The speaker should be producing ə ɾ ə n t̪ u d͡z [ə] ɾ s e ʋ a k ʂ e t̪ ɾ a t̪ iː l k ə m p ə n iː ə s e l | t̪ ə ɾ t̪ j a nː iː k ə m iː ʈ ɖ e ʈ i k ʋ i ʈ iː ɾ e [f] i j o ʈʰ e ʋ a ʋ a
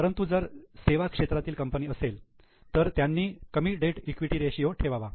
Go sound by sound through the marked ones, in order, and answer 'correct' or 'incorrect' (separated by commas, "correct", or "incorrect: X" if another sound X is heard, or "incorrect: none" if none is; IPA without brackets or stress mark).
correct, incorrect: ɕ